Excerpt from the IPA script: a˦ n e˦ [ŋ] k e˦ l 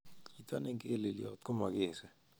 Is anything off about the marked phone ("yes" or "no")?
no